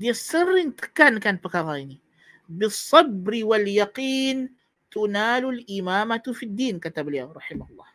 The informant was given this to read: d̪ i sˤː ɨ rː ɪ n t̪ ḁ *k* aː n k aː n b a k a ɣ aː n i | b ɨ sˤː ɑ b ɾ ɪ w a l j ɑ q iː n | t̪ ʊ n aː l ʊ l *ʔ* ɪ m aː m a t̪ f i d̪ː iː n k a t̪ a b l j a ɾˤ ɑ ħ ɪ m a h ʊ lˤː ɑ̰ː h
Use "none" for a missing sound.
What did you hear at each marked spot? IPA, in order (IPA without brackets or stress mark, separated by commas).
k, ʔ